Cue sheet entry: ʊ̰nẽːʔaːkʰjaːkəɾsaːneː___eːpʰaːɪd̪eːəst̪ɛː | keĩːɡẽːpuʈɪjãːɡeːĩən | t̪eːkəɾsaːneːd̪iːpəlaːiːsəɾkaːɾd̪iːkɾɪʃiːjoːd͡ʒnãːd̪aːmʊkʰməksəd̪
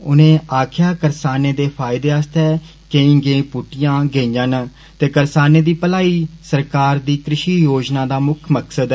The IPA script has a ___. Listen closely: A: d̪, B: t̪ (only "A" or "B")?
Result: A